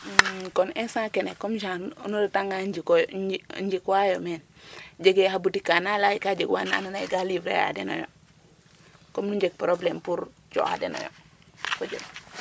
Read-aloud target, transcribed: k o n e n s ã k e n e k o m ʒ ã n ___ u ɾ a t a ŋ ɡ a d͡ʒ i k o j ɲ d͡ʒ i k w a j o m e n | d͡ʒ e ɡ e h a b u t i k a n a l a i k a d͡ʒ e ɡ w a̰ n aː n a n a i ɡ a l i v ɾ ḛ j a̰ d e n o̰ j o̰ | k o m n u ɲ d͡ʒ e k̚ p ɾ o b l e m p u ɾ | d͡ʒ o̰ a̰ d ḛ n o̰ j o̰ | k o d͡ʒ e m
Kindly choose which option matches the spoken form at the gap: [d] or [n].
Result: n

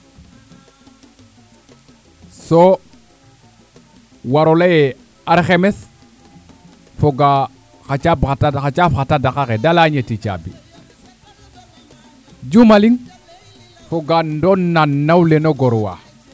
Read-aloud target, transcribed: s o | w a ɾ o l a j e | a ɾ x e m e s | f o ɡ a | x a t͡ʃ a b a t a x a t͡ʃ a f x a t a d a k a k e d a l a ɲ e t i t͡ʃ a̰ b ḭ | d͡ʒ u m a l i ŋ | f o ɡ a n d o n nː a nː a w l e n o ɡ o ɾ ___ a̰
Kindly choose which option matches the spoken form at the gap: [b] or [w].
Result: w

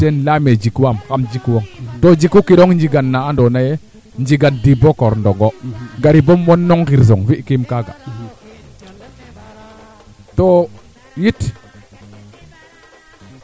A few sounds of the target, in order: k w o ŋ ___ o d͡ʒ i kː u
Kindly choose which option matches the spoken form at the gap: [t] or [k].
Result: t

